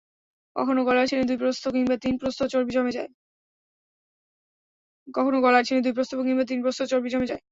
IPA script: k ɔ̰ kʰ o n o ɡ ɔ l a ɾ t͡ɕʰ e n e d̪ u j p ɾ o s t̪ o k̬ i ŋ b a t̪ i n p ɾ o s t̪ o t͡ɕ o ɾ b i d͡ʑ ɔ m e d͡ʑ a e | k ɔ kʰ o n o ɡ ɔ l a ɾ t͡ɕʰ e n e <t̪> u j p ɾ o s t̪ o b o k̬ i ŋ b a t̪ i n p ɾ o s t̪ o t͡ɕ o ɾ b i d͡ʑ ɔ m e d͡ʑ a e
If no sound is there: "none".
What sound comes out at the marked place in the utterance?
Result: d̪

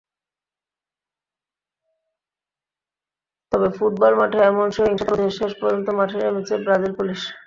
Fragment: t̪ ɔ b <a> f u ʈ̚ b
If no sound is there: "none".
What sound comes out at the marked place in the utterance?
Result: e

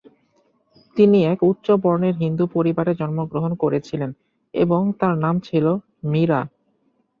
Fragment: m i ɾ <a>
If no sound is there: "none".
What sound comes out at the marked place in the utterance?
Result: a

